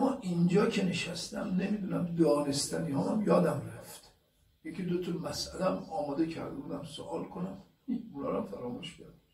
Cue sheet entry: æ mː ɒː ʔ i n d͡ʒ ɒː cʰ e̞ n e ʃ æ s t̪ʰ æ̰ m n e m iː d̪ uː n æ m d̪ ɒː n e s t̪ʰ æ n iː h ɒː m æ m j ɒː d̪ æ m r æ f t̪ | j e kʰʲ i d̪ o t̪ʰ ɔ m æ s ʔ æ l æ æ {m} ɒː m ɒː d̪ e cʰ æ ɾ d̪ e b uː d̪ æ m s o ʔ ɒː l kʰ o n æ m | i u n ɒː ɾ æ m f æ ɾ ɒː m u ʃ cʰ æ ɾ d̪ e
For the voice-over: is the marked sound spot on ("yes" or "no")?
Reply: yes